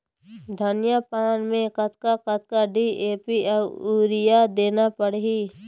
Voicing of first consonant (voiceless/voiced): voiced